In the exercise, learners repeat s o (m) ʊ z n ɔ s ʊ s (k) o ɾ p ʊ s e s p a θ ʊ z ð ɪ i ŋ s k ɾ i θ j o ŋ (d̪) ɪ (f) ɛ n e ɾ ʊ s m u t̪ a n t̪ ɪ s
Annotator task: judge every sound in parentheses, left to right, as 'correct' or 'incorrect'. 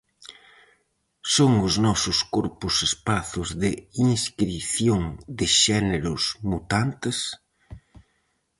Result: incorrect, correct, correct, incorrect

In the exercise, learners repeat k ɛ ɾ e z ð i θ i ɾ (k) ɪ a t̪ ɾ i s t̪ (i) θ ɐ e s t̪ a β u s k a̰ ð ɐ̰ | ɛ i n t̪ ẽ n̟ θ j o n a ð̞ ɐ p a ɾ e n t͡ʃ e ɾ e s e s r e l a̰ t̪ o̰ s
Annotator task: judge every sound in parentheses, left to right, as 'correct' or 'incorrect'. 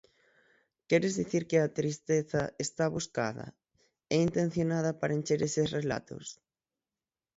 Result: correct, incorrect

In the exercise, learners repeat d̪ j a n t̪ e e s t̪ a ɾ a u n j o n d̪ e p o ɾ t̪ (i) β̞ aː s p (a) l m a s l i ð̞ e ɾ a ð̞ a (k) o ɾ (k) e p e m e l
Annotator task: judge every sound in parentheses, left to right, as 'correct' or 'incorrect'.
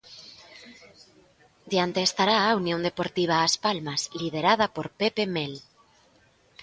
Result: correct, correct, incorrect, incorrect

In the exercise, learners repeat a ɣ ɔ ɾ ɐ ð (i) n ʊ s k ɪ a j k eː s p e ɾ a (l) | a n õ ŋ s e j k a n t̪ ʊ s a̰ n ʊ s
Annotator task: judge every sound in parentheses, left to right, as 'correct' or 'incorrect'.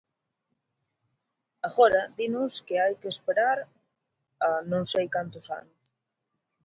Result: correct, incorrect

